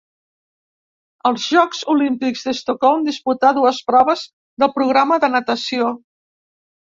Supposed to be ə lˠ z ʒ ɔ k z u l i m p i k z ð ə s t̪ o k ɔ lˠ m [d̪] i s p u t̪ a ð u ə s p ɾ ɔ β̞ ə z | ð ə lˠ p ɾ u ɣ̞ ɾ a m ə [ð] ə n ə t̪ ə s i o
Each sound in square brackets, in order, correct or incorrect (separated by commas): correct, correct